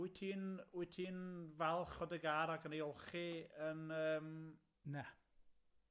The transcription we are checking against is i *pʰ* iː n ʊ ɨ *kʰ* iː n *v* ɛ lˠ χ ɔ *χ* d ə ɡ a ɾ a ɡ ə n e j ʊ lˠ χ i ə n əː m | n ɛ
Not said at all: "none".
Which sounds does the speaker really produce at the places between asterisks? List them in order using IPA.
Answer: tʰ, tʰ, v, none

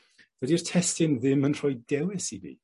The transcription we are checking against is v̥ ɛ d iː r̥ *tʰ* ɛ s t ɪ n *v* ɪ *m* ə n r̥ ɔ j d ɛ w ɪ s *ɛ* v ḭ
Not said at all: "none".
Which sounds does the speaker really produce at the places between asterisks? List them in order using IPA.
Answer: tʰ, ð, m, i

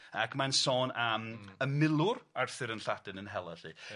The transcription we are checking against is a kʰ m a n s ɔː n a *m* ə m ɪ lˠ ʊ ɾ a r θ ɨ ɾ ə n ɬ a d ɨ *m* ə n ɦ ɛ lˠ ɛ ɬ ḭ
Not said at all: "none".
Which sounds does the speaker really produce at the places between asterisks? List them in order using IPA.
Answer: m, n

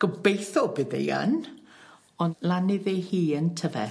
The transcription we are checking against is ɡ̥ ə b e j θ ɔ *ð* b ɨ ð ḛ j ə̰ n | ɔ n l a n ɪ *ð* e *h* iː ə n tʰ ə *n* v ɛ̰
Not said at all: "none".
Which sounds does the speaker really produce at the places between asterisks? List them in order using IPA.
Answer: none, ð, h, none

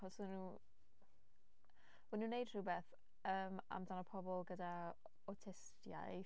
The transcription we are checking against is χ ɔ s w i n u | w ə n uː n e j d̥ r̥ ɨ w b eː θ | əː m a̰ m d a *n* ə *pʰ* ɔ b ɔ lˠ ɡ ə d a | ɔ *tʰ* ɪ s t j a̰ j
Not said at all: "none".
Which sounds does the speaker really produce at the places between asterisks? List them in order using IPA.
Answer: n, pʰ, tʰ

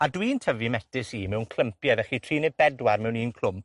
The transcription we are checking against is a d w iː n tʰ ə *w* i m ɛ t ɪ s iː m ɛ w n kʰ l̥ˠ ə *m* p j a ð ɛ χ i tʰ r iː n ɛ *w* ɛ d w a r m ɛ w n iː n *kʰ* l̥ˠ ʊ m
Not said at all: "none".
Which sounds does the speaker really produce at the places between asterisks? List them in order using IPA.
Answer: v, m, b, kʰ

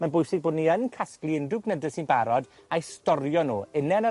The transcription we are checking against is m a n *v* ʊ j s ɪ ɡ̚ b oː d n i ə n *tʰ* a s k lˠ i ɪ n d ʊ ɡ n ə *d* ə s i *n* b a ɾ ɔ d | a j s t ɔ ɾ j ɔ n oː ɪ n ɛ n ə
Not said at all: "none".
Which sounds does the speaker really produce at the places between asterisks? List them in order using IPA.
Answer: b, kʰ, d, n

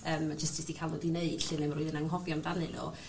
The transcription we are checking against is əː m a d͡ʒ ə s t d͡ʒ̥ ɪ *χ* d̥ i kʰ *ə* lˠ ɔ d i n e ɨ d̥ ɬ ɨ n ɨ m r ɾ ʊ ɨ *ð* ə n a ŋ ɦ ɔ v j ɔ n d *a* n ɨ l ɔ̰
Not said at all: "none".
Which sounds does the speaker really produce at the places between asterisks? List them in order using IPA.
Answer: s, a, ð, a

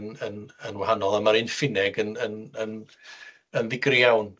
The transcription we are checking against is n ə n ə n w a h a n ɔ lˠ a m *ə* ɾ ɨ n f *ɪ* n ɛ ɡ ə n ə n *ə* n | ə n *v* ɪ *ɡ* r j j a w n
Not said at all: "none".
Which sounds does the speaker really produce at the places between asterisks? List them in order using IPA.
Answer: a, ɪ, ə, ð, ɡ

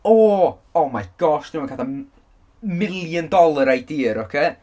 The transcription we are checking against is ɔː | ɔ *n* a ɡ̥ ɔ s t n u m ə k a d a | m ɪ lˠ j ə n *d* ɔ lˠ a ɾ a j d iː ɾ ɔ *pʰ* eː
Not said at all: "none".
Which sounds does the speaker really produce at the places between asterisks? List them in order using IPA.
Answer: m, d, kʰ

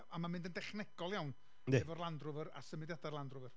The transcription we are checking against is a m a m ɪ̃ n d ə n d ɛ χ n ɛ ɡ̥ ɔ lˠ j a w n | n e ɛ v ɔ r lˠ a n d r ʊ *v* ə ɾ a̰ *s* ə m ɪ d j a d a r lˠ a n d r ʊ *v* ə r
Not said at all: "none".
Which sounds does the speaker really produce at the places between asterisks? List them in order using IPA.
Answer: v, s, v

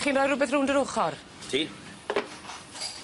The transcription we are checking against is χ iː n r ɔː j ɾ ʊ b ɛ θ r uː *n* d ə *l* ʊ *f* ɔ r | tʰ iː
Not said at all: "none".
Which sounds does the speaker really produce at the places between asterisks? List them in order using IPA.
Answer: n, ɾ, χ

